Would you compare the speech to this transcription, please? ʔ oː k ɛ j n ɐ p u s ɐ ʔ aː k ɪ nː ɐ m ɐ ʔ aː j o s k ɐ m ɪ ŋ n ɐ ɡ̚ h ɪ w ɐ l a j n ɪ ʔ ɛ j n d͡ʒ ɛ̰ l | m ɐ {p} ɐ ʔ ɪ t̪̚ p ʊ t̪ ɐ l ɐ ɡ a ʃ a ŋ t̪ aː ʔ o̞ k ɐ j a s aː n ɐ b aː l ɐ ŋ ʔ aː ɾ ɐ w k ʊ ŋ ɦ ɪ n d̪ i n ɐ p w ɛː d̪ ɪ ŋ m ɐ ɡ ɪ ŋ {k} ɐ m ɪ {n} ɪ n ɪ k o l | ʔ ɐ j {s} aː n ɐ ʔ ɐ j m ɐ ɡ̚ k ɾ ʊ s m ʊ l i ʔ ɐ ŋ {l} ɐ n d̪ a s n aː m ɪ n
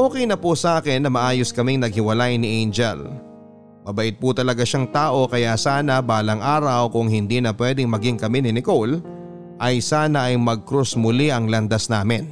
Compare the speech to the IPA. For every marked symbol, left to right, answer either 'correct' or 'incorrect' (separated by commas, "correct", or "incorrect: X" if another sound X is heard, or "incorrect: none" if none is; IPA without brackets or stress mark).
incorrect: b, correct, correct, correct, correct